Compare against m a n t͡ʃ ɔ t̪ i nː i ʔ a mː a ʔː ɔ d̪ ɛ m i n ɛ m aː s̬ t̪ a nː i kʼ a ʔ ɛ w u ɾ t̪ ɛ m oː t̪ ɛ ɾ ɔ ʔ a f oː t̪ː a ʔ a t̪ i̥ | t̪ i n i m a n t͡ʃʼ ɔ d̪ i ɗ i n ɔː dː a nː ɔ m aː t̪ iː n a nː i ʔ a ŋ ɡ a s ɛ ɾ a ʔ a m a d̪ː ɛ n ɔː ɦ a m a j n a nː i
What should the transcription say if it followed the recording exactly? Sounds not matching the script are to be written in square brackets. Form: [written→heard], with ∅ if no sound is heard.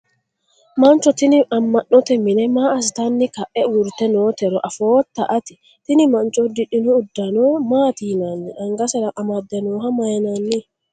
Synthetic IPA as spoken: m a n t͡ʃ ɔ t̪ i [nː→n] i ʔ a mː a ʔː ɔ [d̪→t̪] ɛ m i n ɛ m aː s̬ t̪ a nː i [kʼ→k] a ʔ ɛ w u ɾ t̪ ɛ [m→n] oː t̪ ɛ ɾ ɔ ʔ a f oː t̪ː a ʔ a t̪ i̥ | t̪ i n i m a n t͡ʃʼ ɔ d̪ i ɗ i n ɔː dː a [nː→n] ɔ m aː t̪ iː n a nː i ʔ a ŋ ɡ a s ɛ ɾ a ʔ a m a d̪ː ɛ n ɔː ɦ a m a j n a nː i